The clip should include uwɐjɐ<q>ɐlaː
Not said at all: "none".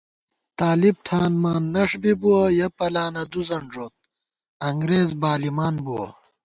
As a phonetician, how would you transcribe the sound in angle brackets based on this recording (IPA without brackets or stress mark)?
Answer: p